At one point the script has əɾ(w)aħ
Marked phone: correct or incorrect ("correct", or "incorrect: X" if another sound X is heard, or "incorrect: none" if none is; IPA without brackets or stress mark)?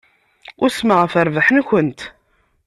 incorrect: v